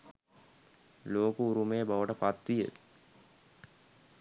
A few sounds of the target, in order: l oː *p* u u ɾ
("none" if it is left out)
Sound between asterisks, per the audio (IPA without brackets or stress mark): k